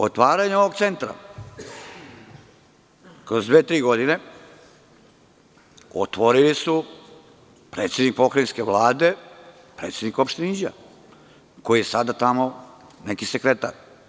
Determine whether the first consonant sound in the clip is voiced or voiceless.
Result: voiceless